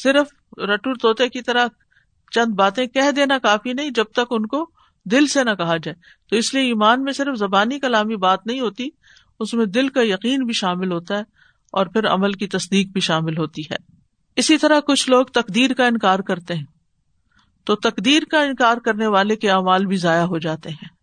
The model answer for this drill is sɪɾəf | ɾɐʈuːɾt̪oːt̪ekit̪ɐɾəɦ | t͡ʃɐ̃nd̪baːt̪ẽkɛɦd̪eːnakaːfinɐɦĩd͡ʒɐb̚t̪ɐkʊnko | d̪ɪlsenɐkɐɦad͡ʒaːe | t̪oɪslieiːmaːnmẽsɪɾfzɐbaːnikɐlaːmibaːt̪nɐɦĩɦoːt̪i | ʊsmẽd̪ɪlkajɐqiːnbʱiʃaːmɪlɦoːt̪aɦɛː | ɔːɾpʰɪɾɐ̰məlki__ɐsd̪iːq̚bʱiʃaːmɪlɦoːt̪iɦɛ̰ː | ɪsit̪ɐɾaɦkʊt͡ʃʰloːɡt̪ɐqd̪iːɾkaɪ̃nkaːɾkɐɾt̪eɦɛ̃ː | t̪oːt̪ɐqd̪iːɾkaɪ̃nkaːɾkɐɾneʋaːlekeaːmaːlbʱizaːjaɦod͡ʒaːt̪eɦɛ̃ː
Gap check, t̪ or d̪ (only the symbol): t̪